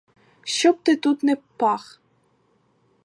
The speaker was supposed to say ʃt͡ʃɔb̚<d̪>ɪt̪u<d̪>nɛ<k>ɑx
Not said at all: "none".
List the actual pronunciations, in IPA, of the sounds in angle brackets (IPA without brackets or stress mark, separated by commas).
t̪, t̪, p